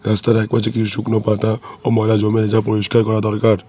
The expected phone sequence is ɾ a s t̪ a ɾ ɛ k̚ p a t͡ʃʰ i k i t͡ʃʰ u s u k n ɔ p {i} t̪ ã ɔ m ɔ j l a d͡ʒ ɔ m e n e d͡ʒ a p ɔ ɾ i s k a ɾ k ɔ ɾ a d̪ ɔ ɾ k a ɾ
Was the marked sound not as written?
yes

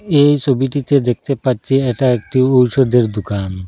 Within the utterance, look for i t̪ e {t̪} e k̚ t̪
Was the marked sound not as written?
yes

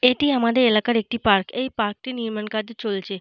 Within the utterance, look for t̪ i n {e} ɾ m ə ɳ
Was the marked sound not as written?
yes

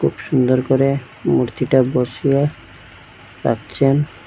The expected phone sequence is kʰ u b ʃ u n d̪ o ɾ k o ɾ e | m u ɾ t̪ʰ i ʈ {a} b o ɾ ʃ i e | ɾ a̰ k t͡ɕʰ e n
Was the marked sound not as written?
no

